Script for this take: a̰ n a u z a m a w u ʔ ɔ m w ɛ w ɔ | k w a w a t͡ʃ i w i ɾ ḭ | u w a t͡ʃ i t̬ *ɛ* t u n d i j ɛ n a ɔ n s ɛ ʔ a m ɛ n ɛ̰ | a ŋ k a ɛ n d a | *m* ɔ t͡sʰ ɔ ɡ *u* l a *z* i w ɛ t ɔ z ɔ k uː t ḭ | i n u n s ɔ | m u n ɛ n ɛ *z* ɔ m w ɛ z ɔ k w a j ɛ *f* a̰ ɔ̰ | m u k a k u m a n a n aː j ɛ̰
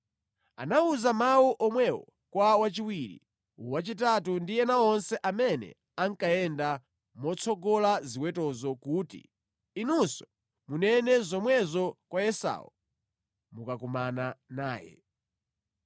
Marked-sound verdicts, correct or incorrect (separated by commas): incorrect, correct, incorrect, correct, correct, incorrect